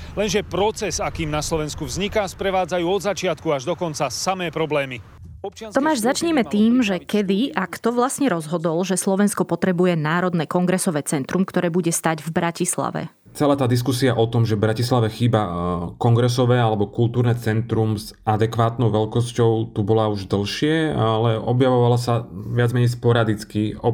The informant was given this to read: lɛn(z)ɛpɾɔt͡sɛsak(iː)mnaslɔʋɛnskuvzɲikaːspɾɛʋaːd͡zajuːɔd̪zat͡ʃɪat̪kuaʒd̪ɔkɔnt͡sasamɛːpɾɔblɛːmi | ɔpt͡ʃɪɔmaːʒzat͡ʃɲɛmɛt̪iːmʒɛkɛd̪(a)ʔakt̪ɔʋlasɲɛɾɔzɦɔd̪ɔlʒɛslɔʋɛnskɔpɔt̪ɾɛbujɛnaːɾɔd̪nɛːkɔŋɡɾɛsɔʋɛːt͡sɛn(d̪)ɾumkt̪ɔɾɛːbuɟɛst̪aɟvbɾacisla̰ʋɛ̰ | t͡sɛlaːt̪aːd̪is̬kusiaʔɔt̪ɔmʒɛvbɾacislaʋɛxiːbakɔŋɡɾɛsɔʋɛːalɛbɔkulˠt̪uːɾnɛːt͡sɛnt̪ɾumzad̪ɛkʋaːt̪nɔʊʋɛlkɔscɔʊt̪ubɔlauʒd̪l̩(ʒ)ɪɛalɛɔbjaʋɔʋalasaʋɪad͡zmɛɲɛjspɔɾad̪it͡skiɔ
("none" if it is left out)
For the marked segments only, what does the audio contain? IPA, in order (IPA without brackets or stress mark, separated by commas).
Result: ʒ, iː, i, t̪, ʃ